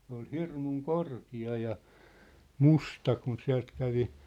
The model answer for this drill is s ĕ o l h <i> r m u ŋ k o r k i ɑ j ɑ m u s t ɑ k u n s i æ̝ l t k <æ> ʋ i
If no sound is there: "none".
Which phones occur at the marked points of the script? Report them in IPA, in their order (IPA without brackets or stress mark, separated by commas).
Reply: i, æ